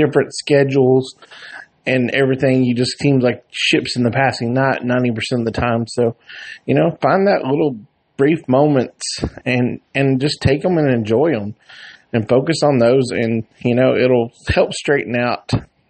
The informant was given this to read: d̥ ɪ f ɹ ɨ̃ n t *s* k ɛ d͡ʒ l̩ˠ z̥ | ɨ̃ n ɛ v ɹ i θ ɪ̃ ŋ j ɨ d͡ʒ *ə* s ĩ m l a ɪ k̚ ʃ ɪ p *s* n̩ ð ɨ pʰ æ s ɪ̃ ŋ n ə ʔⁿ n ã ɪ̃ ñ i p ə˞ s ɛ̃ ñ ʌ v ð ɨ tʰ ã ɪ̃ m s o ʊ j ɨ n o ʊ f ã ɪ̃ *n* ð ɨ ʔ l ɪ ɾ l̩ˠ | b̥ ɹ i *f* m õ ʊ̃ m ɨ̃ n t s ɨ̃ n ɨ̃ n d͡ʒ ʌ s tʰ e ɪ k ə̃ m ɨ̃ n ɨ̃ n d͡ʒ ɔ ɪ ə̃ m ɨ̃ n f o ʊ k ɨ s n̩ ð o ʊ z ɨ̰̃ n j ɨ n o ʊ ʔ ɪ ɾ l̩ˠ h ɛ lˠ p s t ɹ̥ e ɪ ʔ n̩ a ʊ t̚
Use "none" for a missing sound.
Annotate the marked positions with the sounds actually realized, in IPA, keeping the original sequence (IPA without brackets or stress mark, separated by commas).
s, ʌ, s, n, f